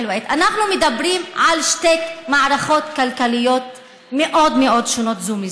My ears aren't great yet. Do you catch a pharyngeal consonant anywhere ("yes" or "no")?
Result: yes